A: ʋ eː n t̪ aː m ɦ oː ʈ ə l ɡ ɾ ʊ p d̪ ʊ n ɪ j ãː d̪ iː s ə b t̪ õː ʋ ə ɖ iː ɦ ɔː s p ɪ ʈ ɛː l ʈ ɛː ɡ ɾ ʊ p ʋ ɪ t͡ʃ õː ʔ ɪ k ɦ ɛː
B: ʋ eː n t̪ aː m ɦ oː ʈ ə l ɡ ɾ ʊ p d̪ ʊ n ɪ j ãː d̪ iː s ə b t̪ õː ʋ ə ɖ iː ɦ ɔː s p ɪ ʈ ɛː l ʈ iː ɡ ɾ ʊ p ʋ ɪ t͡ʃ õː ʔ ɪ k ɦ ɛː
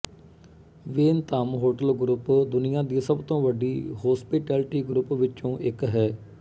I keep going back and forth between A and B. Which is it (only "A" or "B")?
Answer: B